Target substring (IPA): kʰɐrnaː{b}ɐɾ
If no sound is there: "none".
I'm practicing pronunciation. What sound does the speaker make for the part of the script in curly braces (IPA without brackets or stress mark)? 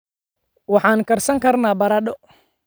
b